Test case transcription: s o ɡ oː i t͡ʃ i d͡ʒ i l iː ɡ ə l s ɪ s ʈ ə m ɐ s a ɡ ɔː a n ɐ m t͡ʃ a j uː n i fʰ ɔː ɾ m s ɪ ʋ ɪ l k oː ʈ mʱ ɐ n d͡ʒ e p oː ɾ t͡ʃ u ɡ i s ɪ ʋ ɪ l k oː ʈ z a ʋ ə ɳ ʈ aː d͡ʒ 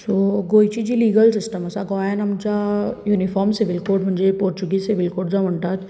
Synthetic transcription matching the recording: s o ɡ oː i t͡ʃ i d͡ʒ i l iː ɡ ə l s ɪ s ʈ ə m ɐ s a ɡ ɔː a n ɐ m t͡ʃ a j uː n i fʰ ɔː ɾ m s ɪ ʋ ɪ l k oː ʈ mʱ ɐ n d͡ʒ e p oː ɾ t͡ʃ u ɡ i s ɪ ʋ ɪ l k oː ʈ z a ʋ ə ɳ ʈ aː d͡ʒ